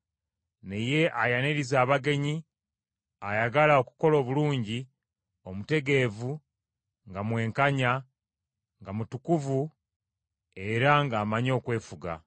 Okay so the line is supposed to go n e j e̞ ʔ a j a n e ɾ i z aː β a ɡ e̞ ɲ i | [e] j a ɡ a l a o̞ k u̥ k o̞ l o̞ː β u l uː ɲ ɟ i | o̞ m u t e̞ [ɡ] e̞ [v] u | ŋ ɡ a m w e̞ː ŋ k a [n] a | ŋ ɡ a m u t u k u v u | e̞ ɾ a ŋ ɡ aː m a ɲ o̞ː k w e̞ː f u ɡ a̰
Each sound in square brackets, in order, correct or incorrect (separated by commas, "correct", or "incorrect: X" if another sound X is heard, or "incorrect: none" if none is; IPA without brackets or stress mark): incorrect: a, correct, correct, incorrect: ɲ